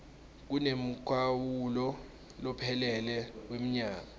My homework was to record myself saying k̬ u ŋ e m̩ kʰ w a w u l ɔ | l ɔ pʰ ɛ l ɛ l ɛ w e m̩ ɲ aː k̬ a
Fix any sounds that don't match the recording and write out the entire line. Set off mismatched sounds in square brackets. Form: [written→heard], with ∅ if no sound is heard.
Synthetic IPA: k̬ u [ŋ→n] e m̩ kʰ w a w u l ɔ | l ɔ pʰ ɛ l ɛ l ɛ w e m̩ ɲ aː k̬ a